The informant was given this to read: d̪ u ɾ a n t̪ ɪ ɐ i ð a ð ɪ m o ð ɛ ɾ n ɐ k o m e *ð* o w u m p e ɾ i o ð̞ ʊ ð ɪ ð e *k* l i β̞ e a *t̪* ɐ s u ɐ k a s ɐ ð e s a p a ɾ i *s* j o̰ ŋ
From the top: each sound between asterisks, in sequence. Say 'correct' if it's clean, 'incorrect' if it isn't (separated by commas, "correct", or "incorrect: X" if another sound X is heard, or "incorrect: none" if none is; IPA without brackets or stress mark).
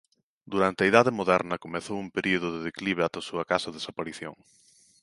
incorrect: θ, correct, correct, incorrect: θ